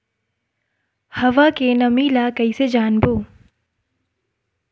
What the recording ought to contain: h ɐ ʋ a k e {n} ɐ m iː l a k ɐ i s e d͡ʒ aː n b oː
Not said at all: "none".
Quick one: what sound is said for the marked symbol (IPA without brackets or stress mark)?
n